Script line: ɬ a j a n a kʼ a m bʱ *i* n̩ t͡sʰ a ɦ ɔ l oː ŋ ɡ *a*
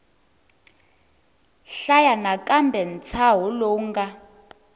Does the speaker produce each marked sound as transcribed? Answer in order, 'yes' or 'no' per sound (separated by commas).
no, yes